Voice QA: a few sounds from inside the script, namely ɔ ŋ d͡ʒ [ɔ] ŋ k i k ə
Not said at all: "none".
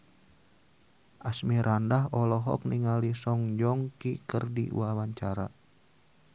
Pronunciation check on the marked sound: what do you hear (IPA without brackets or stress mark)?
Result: ɔ